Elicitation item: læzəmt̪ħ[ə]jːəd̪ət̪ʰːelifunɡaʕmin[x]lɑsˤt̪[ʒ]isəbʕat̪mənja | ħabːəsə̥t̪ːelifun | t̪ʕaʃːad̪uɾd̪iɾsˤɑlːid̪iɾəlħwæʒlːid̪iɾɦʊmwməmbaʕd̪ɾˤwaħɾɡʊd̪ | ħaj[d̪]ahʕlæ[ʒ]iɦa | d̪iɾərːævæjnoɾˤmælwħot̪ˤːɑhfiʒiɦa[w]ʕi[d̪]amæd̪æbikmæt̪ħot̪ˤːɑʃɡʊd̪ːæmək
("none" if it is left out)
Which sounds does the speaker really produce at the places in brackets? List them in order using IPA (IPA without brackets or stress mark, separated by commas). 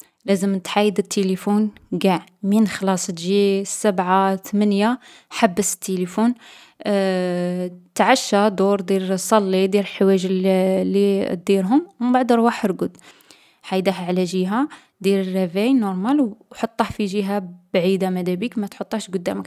a, x, ʒ, d̪, ʒ, b, d̪